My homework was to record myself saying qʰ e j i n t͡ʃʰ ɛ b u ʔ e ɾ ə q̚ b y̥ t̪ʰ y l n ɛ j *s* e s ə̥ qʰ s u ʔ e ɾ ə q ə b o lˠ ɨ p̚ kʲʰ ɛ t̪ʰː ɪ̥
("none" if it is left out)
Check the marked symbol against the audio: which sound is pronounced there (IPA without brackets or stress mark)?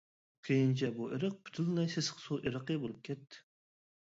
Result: s